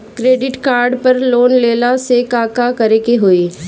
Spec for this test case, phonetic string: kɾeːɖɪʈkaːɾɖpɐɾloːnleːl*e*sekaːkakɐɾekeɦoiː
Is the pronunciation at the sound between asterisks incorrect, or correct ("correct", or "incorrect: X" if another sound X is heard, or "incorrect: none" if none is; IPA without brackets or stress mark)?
incorrect: a